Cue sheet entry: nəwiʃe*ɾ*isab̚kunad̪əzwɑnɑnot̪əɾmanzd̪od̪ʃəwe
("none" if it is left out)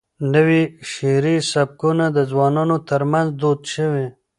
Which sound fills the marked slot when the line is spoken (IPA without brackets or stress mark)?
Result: ɾ